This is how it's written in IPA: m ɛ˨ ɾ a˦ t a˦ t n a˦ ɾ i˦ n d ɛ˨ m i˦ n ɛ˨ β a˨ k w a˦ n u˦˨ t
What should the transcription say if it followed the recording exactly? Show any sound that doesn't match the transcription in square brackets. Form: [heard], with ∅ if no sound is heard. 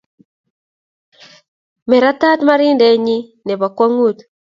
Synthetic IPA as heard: m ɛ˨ ɾ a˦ t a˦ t [m] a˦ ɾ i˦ n d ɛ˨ [ɲ] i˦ n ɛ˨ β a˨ k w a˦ [ŋ] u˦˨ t

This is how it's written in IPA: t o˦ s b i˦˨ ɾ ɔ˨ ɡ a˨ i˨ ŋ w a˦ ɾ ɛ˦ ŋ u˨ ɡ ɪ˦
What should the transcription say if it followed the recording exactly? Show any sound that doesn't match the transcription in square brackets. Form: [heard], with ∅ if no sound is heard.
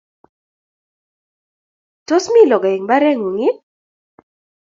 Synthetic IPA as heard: t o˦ s [m] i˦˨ [l] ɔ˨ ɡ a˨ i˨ ŋ [b] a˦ ɾ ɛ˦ ŋ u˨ [ŋ] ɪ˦

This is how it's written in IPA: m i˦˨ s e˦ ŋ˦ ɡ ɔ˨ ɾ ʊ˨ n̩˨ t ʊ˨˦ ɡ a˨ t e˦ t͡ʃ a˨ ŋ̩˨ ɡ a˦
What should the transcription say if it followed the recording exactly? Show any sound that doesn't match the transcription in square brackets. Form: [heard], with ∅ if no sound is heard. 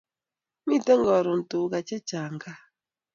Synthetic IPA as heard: m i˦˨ [t] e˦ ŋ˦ ɡ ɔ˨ ɾ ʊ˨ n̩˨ t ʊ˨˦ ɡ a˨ [t͡ʃ] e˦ t͡ʃ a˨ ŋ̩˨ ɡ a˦

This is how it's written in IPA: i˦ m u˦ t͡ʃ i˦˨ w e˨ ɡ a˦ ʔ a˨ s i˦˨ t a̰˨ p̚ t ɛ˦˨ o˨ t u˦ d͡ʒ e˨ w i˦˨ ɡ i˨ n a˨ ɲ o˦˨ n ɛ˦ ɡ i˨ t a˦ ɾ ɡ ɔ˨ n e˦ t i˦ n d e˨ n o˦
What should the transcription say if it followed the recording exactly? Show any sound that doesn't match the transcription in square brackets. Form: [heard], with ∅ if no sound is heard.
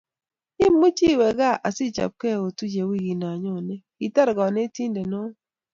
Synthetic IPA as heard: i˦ m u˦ t͡ʃ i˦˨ w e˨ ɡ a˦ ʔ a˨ s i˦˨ [t͡ʃ] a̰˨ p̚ [k] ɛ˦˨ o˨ t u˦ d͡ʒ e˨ w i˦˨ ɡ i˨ n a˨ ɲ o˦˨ n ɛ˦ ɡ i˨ t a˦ ɾ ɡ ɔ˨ n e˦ t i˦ n d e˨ n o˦

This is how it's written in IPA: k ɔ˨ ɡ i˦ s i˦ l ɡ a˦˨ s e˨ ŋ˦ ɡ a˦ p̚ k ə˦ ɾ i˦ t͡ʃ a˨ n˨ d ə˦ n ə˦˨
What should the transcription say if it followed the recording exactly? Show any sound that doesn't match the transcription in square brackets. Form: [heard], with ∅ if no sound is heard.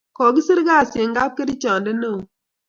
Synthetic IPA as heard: k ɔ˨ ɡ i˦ s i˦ [ɾ] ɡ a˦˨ s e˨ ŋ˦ ɡ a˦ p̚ k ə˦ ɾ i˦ t͡ʃ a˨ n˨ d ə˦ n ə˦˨

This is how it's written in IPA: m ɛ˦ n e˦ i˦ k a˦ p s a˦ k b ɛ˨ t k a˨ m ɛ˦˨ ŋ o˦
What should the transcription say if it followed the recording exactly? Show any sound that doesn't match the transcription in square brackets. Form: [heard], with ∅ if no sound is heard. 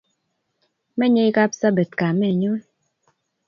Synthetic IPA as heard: m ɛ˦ [ɲ] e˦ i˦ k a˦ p s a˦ [∅] b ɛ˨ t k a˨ m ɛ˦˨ [ɲ] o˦

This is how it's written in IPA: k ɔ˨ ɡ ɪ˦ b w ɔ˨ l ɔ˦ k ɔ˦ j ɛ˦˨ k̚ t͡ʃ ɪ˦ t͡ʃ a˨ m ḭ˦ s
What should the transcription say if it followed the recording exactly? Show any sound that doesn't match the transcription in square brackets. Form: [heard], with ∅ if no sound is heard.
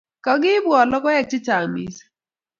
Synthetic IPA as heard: k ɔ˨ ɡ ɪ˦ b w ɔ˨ l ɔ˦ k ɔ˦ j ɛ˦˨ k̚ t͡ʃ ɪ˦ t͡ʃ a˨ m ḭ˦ s

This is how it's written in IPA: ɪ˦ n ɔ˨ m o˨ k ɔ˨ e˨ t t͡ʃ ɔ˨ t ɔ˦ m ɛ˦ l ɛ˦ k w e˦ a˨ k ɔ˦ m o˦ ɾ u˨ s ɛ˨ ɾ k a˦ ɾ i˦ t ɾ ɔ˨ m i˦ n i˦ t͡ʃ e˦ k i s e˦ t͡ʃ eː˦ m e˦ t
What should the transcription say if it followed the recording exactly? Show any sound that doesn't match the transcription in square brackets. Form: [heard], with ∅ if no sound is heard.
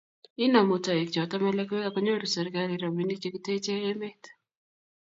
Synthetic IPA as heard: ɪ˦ n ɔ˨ m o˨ [t] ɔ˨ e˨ [k] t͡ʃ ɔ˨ t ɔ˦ m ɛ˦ l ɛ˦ k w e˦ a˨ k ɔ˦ [ɲ] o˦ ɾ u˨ s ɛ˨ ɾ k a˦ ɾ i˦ [∅] ɾ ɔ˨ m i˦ n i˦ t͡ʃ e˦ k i [t] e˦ t͡ʃ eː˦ m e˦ t

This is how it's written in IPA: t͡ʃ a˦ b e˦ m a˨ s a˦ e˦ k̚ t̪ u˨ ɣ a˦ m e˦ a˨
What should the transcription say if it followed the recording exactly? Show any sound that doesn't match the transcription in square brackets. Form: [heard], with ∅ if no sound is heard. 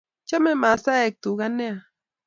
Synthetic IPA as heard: t͡ʃ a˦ [m] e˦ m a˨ s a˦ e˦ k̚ t̪ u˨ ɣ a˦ [n] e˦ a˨

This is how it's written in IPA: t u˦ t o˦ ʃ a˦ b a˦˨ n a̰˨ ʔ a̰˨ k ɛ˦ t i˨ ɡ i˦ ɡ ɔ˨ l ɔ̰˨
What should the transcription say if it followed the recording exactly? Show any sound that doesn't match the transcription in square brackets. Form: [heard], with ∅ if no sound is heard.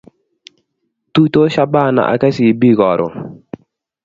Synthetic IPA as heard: t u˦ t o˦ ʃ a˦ b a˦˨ n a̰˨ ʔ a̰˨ k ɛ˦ [s] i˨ [b] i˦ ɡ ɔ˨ [ɾ] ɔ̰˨

